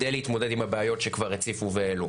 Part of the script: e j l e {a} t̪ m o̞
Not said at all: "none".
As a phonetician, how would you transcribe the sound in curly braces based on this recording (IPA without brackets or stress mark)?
i